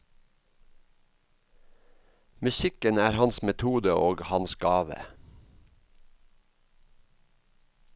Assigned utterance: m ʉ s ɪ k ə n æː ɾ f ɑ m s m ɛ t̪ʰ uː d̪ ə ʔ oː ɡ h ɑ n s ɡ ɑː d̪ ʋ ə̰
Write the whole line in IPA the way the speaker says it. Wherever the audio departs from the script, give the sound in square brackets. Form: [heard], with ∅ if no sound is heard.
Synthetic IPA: m ʉ s ɪ k ə n æː ɾ [h] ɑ [n] s m ɛ t̪ʰ uː d̪ ə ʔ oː ɡ h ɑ n s ɡ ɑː [∅] ʋ ə̰